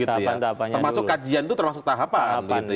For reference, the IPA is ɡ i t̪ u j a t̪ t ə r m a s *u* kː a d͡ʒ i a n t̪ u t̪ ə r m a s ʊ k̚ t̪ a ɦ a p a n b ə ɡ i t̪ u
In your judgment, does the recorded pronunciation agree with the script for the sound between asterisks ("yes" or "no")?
no